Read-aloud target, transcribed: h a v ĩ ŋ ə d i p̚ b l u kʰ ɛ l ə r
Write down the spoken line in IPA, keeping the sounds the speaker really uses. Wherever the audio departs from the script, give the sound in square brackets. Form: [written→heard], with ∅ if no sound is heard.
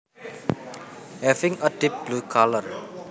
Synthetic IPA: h [a→ɛ] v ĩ ŋ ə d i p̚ b l u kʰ [ɛ→a] l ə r